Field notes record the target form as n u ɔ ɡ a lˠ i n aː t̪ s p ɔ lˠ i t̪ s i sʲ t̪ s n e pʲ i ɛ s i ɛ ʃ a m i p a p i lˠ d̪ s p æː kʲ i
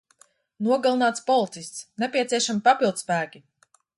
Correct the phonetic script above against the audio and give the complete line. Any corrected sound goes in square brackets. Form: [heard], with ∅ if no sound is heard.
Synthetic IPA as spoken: n u ɔ ɡ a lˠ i n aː t̪ s p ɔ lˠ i t̪ s i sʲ t̪ s n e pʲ i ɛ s i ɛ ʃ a m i p a p i lˠ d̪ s p æː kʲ i